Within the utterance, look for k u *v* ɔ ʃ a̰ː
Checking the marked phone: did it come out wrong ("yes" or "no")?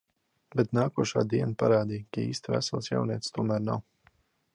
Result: yes